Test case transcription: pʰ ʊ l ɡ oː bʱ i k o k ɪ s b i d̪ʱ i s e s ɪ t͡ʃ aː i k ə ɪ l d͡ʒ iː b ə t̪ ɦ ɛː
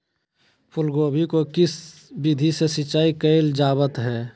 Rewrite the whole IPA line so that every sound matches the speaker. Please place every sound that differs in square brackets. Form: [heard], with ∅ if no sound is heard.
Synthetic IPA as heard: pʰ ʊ l ɡ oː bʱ i k o k ɪ s b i d̪ʱ i s e s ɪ t͡ʃ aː i k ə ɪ l d͡ʒ [aː] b ə t̪ ɦ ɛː